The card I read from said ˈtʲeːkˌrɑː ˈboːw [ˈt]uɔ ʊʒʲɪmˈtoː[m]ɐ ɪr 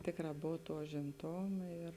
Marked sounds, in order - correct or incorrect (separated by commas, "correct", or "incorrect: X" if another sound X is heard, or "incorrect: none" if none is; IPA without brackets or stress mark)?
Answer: correct, correct